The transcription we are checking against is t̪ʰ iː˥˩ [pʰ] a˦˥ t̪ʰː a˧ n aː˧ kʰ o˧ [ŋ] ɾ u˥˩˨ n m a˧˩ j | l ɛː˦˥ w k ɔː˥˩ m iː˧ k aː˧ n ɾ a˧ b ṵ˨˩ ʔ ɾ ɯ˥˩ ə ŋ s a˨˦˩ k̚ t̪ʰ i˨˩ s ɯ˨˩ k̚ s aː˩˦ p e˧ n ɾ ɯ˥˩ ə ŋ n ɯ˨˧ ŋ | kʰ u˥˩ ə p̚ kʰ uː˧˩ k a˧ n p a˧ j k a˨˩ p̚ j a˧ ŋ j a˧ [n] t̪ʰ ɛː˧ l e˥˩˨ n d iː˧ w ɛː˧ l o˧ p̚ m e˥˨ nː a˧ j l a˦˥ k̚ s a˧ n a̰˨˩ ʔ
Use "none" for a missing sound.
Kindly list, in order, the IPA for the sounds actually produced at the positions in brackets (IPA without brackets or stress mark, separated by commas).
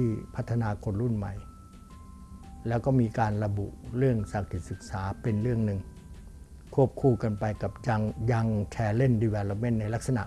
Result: pʰ, n, ŋ